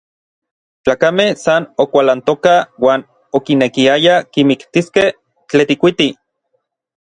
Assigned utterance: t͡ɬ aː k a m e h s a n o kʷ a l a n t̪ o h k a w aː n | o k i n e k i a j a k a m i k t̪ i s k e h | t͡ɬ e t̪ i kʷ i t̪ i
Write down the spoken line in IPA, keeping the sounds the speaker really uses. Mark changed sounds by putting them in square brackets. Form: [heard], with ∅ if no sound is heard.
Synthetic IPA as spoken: t͡ɬ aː k a m e h s a n o kʷ a l a n t̪ o [∅] k a w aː n | o k i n e k i a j a k [i] m i k t̪ i s k e h | t͡ɬ e t̪ i kʷ i t̪ i